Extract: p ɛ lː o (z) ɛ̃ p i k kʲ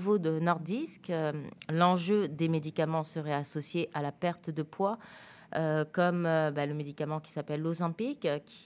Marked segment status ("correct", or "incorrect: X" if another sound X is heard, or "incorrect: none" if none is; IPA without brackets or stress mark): correct